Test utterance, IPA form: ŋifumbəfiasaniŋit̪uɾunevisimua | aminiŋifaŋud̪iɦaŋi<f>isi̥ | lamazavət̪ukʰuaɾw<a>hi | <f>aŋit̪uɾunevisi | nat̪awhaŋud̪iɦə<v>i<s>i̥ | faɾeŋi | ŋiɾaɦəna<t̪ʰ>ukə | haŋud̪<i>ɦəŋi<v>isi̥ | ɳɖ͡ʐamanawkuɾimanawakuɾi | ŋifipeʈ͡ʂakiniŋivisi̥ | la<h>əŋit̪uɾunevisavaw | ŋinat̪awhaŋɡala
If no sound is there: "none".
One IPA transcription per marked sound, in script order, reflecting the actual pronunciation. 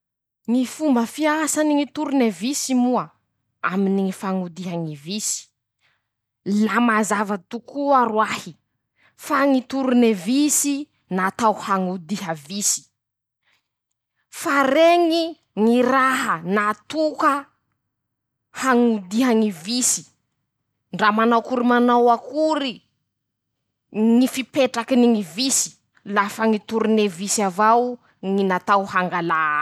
v, a, f, v, s, t̪, i, v, f

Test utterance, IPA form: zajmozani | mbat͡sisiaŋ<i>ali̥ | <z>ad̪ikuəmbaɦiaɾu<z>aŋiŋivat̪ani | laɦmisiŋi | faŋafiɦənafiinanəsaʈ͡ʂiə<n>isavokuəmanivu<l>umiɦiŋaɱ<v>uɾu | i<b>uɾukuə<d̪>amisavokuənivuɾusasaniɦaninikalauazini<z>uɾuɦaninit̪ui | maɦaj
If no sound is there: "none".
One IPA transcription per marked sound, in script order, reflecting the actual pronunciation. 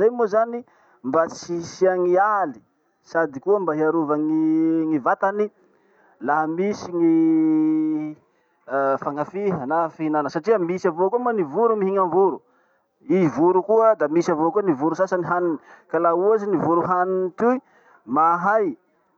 i, s, v, m, ɾ, v, v, d̪, v

